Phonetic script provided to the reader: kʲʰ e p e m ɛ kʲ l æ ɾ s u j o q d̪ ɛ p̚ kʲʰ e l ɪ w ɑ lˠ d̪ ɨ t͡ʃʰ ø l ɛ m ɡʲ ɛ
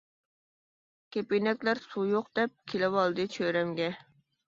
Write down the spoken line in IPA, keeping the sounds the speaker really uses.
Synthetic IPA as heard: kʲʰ e p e n ɛ kʲ l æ ɾ s u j o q d̪ ɛ p̚ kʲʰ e l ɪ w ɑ lˠ d̪ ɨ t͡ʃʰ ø ɾ ɛ m ɡʲ ɛ